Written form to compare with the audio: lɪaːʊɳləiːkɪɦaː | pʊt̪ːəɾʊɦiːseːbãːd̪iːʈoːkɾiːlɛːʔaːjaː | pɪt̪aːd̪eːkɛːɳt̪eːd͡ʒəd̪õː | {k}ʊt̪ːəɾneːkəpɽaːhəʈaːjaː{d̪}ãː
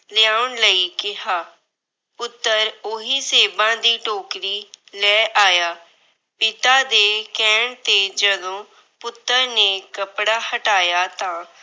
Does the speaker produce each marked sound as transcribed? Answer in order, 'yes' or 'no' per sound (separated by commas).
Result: no, no